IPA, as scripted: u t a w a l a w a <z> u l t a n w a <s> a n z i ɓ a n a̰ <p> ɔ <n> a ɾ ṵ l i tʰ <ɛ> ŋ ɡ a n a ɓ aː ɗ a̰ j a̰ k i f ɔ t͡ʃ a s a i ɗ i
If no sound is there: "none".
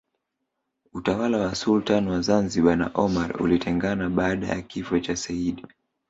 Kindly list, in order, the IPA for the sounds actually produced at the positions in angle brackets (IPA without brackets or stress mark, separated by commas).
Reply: s, z, ʔ, m, ɛ